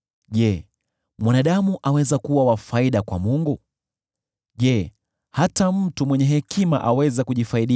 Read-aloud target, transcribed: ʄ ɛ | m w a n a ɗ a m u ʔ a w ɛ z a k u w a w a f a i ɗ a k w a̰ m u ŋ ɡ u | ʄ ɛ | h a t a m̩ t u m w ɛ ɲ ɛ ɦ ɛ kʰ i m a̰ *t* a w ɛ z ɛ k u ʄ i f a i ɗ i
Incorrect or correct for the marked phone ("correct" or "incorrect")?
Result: incorrect